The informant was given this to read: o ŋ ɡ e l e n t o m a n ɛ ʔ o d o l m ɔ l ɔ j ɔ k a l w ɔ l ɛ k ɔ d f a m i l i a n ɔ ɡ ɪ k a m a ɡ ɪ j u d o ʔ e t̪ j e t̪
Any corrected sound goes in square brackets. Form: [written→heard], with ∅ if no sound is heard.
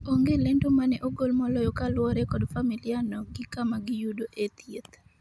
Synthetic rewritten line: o ŋ ɡ e l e n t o m a n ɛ ʔ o [d→ɡ] o l m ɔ l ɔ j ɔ k a l w ɔ [l→ɾ] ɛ k ɔ d f a m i l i a n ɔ ɡ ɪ k a m a ɡ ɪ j u d o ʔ e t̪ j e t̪